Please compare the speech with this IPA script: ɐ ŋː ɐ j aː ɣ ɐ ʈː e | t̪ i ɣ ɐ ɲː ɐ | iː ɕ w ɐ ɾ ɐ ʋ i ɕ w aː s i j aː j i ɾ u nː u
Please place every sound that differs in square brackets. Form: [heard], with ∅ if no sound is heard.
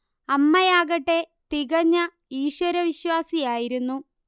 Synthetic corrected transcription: ɐ [mː] ɐ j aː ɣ ɐ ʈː e | t̪ i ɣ ɐ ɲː ɐ | iː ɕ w ɐ ɾ ɐ ʋ i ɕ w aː s i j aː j i ɾ u nː u